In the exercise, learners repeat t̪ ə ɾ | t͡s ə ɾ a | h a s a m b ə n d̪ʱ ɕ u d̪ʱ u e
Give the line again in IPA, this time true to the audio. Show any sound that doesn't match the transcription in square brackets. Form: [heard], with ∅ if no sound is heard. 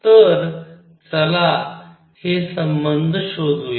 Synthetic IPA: t̪ ə ɾ | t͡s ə [l] a | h [e] s [ə] m b ə n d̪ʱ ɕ [o] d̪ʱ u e